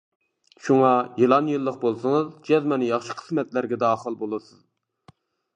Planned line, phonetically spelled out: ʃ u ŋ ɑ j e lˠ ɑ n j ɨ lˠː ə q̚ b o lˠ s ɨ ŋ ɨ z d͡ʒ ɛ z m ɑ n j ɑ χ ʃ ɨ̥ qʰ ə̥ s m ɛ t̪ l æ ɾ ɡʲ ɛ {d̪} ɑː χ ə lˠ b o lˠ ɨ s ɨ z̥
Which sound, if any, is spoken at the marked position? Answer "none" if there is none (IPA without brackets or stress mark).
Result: d̪